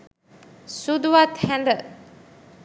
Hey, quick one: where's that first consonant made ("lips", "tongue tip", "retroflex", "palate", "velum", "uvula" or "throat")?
tongue tip